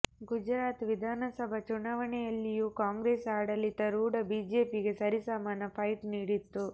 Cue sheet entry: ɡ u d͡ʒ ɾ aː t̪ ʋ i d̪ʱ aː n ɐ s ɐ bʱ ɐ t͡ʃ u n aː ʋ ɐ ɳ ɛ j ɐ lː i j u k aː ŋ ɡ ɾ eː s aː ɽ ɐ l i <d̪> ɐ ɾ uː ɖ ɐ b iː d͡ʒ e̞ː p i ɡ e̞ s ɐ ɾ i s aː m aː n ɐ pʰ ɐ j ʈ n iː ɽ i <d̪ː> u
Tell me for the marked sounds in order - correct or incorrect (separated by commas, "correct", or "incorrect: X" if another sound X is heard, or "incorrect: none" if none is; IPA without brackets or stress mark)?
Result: incorrect: t̪, incorrect: t̪ː